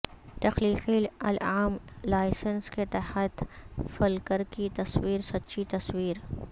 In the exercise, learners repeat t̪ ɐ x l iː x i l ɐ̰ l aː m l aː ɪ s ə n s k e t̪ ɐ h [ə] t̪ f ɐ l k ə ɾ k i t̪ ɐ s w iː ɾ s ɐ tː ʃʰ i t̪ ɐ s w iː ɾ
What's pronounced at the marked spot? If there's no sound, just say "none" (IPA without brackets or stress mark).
ə